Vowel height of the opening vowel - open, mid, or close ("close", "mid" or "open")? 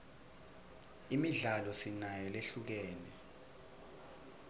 close